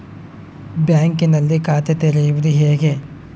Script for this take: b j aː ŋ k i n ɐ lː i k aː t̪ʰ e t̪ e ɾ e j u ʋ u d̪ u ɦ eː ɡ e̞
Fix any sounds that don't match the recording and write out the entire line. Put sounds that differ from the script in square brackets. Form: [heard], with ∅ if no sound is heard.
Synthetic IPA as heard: b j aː ŋ k i n ɐ lː i k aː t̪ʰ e t̪ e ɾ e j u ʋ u d̪ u ɦ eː ɡ e̞